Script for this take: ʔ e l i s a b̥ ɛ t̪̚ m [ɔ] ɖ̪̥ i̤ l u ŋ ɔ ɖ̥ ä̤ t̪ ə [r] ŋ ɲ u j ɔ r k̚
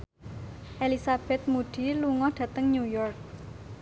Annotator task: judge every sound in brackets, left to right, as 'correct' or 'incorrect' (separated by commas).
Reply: incorrect, incorrect